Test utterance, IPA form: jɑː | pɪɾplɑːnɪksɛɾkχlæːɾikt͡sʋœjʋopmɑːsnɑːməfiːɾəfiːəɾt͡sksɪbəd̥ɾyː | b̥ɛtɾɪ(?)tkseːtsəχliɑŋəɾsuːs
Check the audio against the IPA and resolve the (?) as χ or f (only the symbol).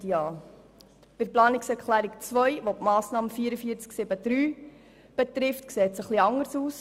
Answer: f